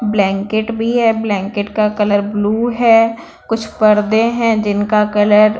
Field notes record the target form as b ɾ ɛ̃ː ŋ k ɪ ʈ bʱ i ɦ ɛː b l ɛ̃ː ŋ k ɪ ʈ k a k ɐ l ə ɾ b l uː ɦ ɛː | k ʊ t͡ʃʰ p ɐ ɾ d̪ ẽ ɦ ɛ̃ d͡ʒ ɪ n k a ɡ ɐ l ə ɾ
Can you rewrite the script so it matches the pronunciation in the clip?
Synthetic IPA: b l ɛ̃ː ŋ k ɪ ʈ bʱ i ɦ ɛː b l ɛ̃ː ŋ k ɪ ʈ k a k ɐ l ə ɾ b l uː ɦ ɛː | k ʊ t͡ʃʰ p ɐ ɾ d̪ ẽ ɦ ɛ̃ d͡ʒ ɪ n k a k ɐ l ə ɾ